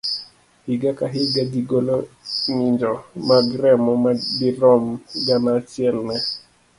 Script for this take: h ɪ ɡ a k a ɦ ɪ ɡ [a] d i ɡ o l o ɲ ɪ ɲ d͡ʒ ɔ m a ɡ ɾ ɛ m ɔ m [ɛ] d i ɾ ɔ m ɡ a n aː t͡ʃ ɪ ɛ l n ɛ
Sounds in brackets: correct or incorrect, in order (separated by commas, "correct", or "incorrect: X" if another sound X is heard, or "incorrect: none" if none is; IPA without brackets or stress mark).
correct, incorrect: a